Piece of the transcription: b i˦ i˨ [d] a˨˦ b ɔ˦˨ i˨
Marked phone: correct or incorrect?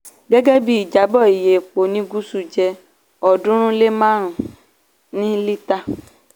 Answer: incorrect